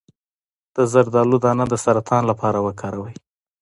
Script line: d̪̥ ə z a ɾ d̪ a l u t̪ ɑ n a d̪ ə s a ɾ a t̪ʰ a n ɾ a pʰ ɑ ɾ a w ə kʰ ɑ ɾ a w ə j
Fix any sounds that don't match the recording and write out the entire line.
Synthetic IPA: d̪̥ ə z a ɾ d̪ ɑ l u d̪ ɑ n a d̪ ə s a ɾ a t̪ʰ ɑ n l a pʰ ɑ ɾ a w ə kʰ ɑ ɾ a w ə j